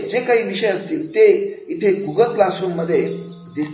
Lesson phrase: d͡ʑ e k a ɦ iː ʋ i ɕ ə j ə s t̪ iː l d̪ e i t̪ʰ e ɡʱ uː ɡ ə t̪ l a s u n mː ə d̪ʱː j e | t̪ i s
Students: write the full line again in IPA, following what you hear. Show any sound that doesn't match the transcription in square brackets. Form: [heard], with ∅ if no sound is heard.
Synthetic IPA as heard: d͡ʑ e k a ɦ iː ʋ i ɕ ə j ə s t̪ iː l [t̪] e i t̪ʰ e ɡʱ [u] ɡ ə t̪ l a s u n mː ə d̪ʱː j e | [d̪] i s